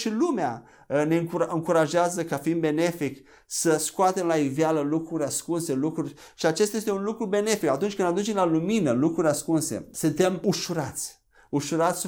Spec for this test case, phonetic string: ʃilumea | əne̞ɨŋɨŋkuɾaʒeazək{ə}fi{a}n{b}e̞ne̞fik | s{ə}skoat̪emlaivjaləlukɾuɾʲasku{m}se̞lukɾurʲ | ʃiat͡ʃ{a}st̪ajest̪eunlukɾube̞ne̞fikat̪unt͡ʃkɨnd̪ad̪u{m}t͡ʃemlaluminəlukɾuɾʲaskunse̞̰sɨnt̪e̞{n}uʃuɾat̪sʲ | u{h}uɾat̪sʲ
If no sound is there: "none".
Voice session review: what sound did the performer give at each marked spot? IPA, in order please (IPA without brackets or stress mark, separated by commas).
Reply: a, i, b, ə, n, e, n, m, ʃ